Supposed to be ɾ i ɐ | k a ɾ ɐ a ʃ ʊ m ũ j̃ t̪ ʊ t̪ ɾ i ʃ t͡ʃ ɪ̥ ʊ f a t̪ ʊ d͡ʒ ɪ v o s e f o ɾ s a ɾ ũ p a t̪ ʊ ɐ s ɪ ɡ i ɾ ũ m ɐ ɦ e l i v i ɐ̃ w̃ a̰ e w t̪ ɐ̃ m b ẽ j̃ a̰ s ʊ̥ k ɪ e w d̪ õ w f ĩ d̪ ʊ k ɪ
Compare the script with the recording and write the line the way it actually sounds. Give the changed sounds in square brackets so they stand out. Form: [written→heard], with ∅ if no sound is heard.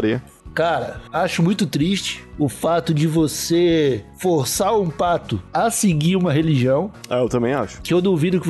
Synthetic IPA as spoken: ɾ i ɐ | k a ɾ ɐ a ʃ ʊ m ũ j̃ t̪ ʊ t̪ ɾ i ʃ t͡ʃ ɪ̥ ʊ f a t̪ ʊ d͡ʒ ɪ v o s e f o ɾ s a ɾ ũ p a t̪ ʊ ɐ s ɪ ɡ i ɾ ũ m ɐ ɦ e l i [v→ʒ] i ɐ̃ w̃ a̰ e w t̪ ɐ̃ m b ẽ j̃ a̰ [s→ʃ] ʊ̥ k ɪ e w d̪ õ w [f→v] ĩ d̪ ʊ k ɪ